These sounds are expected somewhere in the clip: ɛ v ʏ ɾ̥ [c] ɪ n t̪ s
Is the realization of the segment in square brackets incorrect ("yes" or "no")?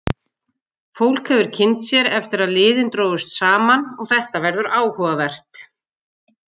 yes